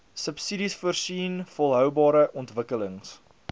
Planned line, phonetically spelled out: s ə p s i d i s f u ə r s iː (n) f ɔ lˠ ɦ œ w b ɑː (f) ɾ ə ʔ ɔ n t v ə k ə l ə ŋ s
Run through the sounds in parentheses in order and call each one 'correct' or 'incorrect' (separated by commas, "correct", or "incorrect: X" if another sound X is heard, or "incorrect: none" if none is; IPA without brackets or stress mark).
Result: correct, incorrect: none